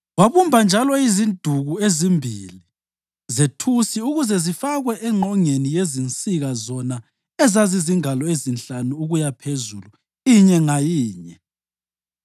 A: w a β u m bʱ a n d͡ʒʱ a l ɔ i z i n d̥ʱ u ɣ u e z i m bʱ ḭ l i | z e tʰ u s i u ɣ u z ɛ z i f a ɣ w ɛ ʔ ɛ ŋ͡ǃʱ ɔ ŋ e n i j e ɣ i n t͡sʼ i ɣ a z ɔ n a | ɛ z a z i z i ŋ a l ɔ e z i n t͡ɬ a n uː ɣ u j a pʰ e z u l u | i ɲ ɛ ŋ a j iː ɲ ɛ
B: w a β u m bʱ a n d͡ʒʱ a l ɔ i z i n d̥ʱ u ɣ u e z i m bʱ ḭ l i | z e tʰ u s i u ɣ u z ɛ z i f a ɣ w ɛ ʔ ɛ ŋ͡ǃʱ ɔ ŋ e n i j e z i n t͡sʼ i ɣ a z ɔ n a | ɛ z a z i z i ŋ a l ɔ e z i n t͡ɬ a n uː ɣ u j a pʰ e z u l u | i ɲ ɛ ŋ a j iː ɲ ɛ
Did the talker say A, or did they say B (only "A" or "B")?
B